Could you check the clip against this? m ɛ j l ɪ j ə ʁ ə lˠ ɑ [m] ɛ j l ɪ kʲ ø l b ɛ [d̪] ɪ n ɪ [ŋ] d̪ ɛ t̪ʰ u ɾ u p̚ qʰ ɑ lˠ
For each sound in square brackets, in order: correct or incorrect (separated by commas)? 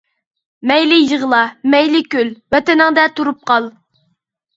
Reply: correct, incorrect, correct